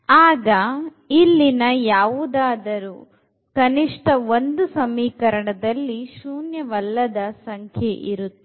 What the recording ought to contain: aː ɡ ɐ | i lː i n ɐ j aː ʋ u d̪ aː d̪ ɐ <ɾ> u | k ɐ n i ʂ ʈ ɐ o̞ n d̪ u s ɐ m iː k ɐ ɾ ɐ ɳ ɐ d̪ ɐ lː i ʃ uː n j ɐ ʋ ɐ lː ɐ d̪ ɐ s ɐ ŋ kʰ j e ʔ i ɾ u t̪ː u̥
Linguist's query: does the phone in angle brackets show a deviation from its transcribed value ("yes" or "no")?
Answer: no